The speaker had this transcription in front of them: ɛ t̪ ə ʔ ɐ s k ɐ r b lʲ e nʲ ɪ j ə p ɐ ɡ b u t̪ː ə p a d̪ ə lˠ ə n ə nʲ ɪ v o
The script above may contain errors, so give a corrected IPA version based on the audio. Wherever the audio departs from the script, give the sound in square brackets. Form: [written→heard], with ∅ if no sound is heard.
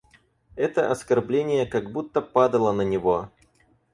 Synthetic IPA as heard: ɛ t̪ ə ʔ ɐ s k ɐ r b lʲ e nʲ ɪ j ə [p→k] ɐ ɡ b u t̪ː ə p a d̪ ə lˠ ə n ə nʲ ɪ v o